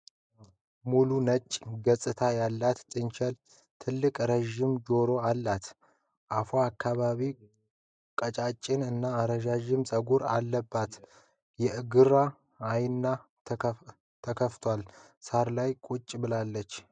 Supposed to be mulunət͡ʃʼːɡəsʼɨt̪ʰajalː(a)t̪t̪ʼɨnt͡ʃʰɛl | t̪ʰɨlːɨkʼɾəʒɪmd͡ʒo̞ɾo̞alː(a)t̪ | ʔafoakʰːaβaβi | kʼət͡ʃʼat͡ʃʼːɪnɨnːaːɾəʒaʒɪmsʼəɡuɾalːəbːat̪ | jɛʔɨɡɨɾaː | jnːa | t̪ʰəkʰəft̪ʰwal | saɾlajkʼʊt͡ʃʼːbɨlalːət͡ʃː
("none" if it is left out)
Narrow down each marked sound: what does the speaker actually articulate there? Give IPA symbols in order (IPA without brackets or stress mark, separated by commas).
a, a